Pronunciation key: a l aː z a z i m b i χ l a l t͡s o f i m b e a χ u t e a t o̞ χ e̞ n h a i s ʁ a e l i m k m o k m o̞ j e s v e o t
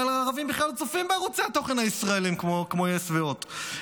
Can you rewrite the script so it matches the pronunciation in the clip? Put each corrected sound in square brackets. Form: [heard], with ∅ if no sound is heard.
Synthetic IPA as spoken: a l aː [ʁ] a [v] i m b i χ l a l t͡s o f i m b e a [ʁ] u [t͡s] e a t o̞ χ e̞ n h a i s ʁ a e l i m k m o k m o̞ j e s v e o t